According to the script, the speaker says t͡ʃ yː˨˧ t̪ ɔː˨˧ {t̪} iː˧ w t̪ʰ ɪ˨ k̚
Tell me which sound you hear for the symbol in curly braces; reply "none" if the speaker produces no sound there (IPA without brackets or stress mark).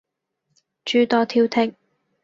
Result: t̪ʰ